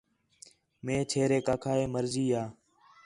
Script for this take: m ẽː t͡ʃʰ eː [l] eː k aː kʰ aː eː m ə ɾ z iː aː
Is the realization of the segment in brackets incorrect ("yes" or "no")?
yes